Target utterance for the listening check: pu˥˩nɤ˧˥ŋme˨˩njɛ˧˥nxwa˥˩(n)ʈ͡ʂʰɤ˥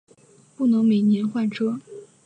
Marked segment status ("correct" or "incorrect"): correct